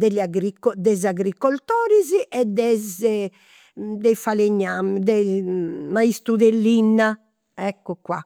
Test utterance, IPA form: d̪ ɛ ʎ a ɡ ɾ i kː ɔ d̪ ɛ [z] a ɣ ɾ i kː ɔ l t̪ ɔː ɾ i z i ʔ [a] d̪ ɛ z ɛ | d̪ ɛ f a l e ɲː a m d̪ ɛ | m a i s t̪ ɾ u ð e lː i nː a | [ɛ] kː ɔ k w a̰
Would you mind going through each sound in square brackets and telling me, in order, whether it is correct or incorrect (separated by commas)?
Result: correct, incorrect, correct